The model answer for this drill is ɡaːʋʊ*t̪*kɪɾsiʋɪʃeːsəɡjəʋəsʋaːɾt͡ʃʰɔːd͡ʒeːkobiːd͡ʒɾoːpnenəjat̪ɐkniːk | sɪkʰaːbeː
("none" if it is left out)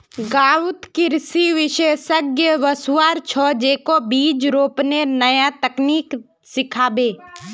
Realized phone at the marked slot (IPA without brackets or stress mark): t̪